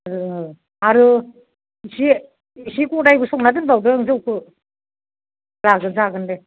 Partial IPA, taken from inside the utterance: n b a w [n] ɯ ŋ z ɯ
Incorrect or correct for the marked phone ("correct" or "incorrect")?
incorrect